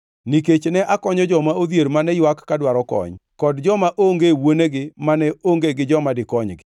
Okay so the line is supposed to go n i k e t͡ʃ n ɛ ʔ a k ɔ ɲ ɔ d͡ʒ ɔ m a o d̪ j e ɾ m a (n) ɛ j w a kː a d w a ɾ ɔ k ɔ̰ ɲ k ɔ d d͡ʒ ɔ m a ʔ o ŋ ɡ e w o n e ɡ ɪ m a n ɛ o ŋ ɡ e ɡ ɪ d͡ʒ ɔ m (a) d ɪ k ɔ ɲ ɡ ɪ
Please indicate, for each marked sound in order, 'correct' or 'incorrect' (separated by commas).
correct, correct